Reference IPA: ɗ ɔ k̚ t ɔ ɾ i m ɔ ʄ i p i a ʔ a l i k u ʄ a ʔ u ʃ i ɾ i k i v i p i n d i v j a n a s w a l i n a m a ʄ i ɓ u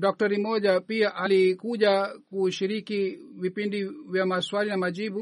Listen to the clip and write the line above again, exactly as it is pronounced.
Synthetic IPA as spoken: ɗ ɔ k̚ t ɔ ɾ i m ɔ ʄ a p i a ʔ a l i k u ʄ a k u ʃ i ɾ i k i v i p i n d i v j a m a s w a l i n a m a ʄ i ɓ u